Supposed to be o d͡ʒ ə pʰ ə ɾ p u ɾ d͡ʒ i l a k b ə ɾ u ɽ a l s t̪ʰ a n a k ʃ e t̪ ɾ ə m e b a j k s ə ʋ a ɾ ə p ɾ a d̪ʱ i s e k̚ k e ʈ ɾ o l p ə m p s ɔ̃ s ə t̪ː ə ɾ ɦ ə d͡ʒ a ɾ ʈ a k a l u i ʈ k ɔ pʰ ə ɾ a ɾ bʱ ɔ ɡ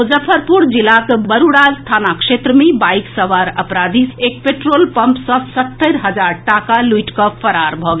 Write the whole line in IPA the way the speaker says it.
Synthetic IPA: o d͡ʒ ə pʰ ə ɾ p u ɾ d͡ʒ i l a k b ə ɾ u ɽ a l s t̪ʰ a n a k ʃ e t̪ ɾ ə m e b a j k s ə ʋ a ɾ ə p ɾ a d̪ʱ i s e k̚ p e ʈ ɾ o l p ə m p s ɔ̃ s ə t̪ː ə ɾ ɦ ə d͡ʒ a ɾ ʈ a k a l u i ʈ k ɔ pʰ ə ɾ a ɾ bʱ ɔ ɡ